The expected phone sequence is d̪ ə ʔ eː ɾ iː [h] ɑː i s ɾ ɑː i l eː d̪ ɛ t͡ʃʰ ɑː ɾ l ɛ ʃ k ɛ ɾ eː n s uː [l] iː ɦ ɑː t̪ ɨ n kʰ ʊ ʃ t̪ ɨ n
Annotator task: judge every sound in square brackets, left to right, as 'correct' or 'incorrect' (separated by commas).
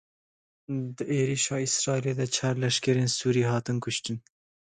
incorrect, incorrect